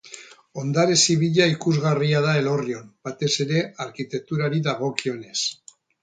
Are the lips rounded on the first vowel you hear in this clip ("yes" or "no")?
yes